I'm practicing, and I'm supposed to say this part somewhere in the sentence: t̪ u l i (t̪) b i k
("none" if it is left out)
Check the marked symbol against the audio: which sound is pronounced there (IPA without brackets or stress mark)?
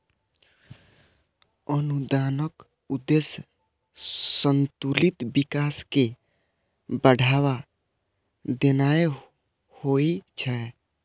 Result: t̪